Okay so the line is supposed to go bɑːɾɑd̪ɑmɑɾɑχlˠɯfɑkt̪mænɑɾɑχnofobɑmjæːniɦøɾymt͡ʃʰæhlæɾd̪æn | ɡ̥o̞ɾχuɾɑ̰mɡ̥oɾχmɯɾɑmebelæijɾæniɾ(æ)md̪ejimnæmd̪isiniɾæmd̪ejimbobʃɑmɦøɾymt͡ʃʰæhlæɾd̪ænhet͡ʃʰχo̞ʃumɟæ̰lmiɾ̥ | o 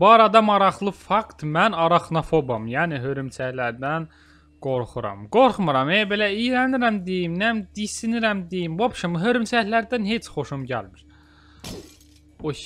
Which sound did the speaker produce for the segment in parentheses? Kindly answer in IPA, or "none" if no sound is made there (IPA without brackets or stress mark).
æ